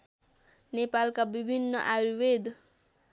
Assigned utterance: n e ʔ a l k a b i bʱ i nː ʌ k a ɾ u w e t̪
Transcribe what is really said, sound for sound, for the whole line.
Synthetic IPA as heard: n e p a l k a b i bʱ i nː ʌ ʔ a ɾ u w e d̪

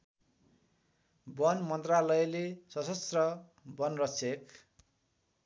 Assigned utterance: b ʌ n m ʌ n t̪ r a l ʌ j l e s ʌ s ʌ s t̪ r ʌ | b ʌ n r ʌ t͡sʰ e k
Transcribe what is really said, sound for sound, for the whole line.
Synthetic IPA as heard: b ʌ n m ʌ n t̪ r a l ʌ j l e s ʌ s ʌ s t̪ r ʌ | b ʌ n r ʌ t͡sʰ e k

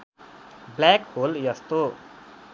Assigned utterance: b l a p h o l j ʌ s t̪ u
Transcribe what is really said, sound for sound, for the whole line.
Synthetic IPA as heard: b l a k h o l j ʌ s t̪ o

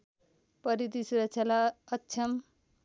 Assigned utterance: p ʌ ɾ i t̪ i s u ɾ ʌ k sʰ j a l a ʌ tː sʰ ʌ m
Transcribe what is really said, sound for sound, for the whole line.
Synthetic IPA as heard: p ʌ ɾ i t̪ i s u ɾ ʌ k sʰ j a l a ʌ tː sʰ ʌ m

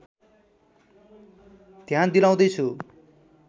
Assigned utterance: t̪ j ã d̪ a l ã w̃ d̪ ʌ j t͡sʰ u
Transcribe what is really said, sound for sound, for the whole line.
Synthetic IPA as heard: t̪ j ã d̪ i l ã w̃ d̪ ʌ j t͡sʰ u

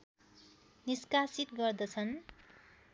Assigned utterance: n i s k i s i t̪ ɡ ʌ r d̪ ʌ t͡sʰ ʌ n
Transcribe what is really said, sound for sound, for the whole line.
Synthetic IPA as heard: n i s k a s i t̪ ɡ ʌ r d̪ ʌ t͡sʰ ʌ n

